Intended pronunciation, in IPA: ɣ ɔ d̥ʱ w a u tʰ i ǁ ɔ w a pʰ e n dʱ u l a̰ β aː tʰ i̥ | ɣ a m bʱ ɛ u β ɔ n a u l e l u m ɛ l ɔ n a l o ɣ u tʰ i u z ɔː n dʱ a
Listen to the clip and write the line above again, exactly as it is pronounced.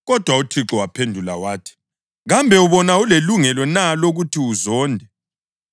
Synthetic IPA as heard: ɣ ɔ d̥ʱ w a u tʰ i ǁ ɔ w a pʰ e n dʱ u l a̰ w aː tʰ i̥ | ɣ a m bʱ ɛ u β ɔ n a u l e l u ŋ ɛ l ɔ n a l o ɣ u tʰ i u z ɔː n dʱ ɛ